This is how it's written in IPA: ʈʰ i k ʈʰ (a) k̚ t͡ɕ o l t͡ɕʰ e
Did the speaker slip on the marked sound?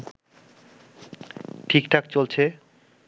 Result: no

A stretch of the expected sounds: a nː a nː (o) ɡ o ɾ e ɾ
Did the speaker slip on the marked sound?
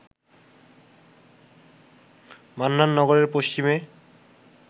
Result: yes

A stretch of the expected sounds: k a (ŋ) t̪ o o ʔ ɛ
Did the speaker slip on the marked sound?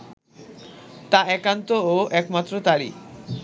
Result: yes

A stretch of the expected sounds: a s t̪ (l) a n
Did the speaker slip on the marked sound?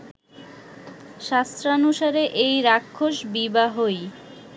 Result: yes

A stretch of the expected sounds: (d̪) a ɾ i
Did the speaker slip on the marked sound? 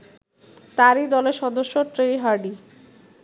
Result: yes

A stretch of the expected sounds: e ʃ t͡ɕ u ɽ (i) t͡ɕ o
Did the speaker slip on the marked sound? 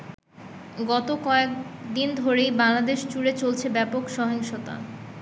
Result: yes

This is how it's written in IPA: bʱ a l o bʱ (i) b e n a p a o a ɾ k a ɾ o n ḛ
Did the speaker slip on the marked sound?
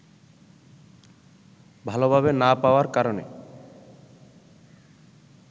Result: yes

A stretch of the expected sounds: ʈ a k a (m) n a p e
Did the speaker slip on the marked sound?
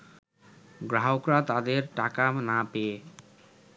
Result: no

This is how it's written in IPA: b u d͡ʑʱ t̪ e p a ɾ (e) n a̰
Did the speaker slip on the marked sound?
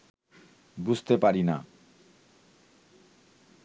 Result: yes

